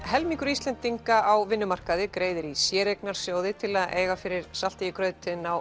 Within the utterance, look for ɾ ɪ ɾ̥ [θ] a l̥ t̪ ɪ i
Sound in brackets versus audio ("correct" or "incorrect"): incorrect